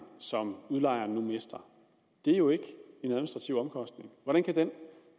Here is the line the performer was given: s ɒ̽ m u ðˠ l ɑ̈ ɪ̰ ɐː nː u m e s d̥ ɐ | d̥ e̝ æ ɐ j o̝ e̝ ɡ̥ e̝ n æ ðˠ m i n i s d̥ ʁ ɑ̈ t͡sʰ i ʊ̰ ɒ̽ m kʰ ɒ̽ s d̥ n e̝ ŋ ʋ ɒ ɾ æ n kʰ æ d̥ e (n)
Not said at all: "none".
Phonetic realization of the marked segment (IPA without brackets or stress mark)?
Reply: n